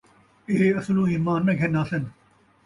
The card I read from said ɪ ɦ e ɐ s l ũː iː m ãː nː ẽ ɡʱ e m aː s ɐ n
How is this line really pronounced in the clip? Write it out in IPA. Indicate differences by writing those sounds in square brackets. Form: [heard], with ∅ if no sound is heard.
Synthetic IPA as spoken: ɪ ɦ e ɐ s l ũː iː m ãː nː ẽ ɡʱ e [n] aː s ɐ n